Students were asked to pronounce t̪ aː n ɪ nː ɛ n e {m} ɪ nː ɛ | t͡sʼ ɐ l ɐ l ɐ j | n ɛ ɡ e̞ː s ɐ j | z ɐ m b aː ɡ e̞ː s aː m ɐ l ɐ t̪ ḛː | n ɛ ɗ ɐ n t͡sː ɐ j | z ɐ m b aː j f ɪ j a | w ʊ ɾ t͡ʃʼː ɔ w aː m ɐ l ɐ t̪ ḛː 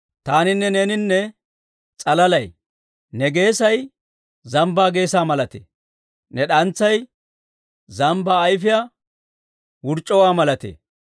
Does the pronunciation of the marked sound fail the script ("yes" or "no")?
yes